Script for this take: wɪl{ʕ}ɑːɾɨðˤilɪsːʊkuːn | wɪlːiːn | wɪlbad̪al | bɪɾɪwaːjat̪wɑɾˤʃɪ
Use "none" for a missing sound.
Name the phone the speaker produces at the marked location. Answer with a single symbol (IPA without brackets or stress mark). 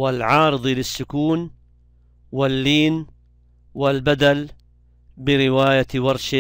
ʕ